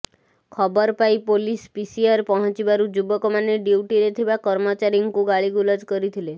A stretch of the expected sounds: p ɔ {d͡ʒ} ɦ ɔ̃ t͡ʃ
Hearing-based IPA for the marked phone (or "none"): none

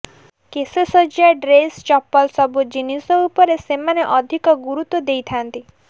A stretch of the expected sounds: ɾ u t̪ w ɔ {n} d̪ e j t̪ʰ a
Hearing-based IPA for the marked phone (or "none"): none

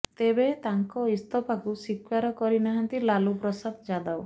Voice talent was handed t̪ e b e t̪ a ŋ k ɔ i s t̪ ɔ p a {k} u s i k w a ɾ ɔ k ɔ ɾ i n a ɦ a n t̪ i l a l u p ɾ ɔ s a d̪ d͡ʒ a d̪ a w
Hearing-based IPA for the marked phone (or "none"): k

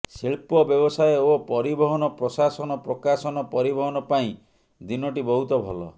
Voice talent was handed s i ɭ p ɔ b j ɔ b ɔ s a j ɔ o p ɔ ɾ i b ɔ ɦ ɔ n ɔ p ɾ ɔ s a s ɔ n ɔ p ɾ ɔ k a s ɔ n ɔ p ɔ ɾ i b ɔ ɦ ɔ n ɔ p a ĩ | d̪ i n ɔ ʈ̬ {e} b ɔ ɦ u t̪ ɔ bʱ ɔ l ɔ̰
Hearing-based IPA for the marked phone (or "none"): i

